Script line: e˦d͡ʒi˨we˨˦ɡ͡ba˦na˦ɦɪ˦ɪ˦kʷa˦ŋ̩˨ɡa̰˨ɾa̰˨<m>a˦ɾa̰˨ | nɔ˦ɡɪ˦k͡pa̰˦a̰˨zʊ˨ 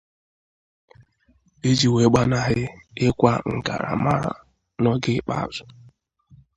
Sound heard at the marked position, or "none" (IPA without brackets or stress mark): m